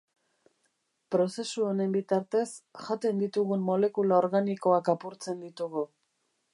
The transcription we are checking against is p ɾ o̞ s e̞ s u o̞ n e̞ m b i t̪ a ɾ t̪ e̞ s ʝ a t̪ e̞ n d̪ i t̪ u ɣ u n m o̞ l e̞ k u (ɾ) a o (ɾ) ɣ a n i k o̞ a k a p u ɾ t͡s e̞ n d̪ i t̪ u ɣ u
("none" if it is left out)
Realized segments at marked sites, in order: l, ɾ

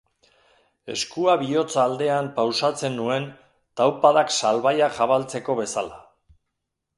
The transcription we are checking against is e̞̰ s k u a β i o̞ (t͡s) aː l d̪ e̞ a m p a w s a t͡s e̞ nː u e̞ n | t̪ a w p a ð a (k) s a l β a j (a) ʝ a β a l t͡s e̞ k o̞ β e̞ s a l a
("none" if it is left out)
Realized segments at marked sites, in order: t͡s, k, a

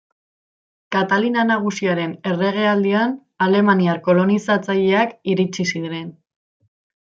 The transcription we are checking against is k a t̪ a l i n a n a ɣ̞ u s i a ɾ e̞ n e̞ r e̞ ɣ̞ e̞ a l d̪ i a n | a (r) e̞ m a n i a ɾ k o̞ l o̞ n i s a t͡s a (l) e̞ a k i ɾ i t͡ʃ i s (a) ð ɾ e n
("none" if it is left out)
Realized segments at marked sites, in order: l, ʎ, i

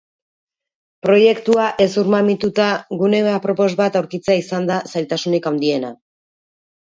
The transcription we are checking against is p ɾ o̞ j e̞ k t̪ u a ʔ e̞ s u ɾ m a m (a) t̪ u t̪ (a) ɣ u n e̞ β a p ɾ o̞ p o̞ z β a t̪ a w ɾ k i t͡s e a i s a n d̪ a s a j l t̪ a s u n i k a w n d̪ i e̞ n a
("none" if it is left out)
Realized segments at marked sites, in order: i, a

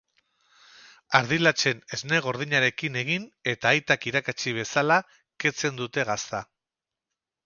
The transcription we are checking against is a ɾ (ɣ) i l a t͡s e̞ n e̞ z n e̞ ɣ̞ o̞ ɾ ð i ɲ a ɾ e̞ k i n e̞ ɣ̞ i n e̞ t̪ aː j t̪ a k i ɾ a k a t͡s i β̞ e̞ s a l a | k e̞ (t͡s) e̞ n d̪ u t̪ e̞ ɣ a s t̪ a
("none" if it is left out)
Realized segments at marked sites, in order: ð, t͡s

